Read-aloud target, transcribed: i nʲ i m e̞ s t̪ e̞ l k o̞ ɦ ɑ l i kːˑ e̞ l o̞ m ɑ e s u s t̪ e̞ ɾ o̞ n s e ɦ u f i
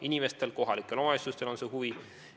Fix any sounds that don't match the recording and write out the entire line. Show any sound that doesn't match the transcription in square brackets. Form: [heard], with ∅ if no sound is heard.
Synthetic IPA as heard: i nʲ i m e̞ s t̪ e̞ l k o̞ ɦ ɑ l i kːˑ e̞ l o̞ m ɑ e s u s t̪ e̞ [l] o̞ n s e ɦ u [v] i

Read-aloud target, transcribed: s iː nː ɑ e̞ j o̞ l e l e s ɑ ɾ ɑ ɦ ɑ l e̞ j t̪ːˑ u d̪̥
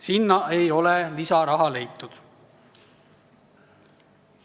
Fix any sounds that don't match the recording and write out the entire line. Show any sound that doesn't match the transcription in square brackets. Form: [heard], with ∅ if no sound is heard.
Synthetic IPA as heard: s [i] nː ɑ e̞ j o̞ l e l [i] s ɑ ɾ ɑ ɦ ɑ l e̞ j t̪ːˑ u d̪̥

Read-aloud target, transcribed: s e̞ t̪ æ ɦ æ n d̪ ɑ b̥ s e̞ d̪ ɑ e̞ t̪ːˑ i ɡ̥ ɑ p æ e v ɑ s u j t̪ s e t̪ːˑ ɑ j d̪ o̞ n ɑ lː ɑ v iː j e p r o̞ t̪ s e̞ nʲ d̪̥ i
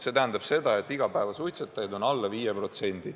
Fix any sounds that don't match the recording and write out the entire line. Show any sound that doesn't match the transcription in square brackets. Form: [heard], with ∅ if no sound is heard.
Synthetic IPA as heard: s e̞ t̪ æ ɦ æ n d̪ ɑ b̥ s e̞ d̪ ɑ e̞ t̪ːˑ i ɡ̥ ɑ p æ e v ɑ s u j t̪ s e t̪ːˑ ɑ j d̪ o̞ n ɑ lː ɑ v iː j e p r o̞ t̪ s e̞ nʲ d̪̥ i

